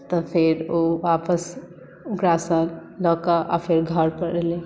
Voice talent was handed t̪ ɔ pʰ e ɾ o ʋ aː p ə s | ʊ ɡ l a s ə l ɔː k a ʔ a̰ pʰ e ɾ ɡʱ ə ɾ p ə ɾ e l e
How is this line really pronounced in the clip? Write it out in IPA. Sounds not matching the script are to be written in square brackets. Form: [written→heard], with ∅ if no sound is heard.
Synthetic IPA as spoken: t̪ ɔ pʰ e ɾ o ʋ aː p ə s | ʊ ɡ [l→ɾ] a s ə l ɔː k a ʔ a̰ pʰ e ɾ ɡʱ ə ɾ p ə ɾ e l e